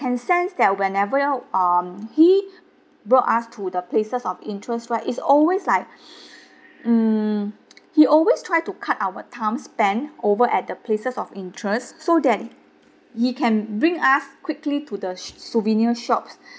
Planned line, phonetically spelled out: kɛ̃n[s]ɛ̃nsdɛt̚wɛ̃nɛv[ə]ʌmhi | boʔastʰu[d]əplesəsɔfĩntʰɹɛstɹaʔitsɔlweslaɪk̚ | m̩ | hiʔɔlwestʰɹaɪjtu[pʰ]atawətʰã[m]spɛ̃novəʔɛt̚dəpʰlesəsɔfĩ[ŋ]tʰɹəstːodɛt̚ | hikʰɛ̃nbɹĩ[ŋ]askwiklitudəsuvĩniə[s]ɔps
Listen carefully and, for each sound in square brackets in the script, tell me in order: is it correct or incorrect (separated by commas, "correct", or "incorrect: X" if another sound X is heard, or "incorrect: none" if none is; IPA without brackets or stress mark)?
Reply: correct, correct, correct, incorrect: kʰ, correct, incorrect: n, correct, incorrect: ʃ